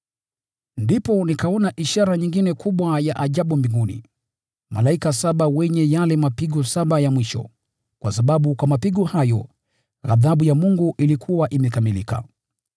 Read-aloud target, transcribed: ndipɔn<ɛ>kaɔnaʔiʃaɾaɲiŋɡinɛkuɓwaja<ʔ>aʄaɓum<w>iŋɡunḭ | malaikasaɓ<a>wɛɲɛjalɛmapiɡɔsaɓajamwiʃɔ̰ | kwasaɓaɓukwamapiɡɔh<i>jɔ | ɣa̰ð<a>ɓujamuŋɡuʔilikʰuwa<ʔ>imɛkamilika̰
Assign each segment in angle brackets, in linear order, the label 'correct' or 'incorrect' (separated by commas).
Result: incorrect, correct, incorrect, correct, incorrect, correct, correct